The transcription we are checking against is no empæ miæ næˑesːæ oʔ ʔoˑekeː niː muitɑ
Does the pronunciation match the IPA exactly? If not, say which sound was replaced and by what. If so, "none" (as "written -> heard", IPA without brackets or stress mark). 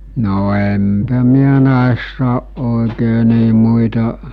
none